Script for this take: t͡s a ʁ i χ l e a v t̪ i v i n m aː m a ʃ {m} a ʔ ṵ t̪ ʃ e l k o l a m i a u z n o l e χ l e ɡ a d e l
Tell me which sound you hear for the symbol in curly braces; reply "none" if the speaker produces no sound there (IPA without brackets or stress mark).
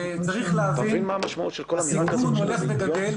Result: m